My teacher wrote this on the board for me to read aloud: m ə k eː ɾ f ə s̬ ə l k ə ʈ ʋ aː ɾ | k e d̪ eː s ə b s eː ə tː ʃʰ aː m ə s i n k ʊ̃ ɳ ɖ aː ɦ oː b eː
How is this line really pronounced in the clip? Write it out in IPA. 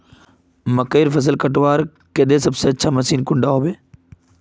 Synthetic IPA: m ə k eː ɾ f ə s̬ ə l k ə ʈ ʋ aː ɾ | k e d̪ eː s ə b s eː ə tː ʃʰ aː m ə s iː n k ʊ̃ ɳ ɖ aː ɦ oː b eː